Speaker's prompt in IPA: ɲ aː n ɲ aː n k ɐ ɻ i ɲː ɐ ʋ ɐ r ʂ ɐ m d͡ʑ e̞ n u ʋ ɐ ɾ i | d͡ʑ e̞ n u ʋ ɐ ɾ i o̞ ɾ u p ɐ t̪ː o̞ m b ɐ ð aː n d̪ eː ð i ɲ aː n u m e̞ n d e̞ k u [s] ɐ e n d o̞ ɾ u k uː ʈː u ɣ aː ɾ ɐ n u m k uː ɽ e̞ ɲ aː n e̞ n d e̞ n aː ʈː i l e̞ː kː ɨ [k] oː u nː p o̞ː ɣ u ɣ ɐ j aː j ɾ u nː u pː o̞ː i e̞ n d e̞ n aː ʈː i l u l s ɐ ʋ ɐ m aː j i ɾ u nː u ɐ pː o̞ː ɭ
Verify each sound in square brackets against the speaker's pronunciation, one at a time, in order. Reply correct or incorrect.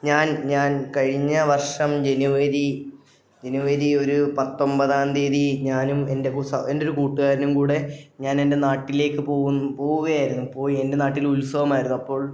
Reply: correct, incorrect

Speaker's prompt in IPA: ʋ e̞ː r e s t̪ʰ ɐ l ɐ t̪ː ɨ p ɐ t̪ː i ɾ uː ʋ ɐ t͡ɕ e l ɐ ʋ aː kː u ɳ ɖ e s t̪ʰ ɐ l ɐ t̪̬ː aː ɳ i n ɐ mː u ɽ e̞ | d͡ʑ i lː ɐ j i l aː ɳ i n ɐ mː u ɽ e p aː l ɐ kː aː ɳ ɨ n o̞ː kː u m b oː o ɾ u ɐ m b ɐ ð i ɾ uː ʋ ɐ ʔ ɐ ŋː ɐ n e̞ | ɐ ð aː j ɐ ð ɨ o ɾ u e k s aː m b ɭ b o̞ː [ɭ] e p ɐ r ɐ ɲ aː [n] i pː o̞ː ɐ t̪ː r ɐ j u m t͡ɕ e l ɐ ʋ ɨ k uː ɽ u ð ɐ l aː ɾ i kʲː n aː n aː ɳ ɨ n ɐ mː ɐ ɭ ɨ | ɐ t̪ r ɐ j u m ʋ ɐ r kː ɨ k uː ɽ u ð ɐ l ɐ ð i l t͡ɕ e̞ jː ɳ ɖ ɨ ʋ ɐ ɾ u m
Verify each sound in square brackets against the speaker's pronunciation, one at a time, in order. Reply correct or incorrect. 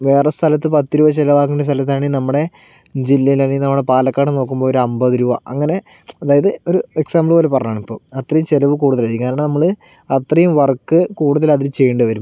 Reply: incorrect, incorrect

